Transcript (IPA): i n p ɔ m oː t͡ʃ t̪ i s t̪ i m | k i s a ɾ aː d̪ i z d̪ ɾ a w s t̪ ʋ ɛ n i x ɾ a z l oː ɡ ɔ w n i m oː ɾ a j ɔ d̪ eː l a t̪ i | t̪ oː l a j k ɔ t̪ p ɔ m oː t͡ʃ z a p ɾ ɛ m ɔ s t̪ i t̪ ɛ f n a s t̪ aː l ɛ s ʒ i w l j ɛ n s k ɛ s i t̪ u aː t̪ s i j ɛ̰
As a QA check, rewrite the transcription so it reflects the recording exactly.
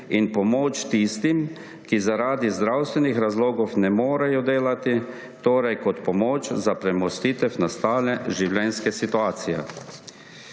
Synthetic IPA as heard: i n p ɔ m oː t͡ʃ t̪ i s t̪ i m | k i z a ɾ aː d̪ i z d̪ ɾ a w s t̪ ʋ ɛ n i x ɾ a z l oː ɡ ɔ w n ɛ m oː ɾ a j ɔ d̪ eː l a t̪ i | t̪ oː ɾ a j k ɔ t̪ p ɔ m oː t͡ʃ z a p ɾ ɛ m ɔ s t̪ i t̪ ɛ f n a s t̪ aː l ɛ ʒ i w l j ɛ n s k ɛ s i t̪ u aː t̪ s i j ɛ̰